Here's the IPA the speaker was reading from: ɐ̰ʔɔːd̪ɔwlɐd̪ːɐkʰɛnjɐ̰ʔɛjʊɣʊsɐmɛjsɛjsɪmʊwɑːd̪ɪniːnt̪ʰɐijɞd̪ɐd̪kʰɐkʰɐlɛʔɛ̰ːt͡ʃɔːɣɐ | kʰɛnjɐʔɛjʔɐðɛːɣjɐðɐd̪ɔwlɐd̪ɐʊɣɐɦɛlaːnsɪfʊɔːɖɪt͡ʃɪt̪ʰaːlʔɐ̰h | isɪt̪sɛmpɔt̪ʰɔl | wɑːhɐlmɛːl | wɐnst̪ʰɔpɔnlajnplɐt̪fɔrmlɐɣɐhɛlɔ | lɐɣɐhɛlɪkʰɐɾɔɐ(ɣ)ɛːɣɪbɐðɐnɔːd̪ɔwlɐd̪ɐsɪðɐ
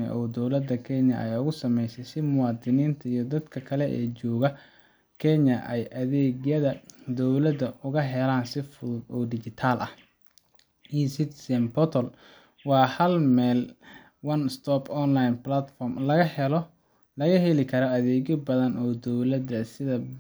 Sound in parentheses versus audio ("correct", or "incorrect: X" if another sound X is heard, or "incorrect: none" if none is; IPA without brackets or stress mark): incorrect: ð